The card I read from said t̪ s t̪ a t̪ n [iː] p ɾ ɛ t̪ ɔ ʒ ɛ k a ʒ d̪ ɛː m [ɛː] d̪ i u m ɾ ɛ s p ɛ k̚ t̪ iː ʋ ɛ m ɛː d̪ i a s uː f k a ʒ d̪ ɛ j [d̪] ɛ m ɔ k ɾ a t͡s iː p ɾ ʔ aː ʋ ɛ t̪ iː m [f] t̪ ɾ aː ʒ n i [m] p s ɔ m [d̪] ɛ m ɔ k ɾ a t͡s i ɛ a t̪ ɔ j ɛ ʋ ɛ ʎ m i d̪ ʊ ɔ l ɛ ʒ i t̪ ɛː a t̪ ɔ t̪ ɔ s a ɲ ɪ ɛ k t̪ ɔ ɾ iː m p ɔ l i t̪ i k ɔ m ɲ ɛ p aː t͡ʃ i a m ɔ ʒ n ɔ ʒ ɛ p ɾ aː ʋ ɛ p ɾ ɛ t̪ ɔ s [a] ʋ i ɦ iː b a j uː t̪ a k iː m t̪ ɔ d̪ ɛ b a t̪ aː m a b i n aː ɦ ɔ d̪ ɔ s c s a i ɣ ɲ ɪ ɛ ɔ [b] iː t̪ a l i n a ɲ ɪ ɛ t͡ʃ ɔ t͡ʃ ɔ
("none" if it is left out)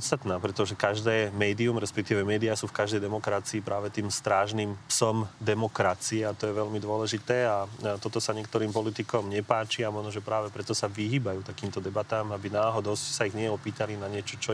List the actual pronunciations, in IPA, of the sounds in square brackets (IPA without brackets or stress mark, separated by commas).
aː, ɛː, d̪, s, m, d̪, a, p